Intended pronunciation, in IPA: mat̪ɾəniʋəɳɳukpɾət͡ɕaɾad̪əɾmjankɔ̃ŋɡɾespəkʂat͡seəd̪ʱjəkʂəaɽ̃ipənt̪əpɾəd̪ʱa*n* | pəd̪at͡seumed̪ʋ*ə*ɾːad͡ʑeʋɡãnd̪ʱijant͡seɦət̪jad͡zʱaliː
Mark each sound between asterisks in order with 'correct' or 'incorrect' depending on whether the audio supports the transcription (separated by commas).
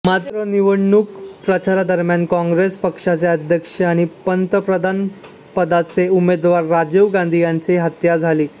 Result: correct, incorrect